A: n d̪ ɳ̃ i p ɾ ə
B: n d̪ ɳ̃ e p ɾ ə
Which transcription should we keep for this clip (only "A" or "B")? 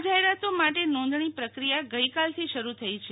A